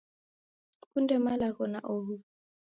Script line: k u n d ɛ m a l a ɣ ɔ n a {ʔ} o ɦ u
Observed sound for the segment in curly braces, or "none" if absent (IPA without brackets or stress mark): ʔ